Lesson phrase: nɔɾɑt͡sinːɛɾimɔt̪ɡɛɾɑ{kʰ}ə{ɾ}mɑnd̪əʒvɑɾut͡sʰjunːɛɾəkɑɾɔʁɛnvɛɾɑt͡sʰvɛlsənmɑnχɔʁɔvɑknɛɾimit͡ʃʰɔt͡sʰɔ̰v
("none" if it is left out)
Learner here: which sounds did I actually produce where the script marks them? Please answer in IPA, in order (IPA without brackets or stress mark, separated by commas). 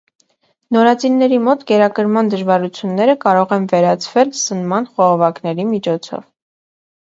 k, ɾ